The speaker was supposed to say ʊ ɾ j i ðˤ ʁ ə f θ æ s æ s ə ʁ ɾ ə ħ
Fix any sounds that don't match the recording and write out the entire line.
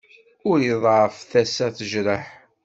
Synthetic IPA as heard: ʊ ɾ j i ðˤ ʕ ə f θ æ s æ θ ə ʒ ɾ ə ħ